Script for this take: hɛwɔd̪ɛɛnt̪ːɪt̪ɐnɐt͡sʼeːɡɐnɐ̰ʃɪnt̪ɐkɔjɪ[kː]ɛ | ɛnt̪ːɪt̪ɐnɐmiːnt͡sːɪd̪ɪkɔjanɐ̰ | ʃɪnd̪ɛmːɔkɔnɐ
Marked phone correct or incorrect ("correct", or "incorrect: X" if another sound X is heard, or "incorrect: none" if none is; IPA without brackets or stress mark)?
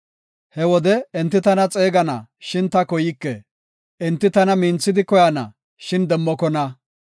correct